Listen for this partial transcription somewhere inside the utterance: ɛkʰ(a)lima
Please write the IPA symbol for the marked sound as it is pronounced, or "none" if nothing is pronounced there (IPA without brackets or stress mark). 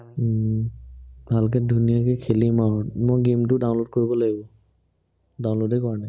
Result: e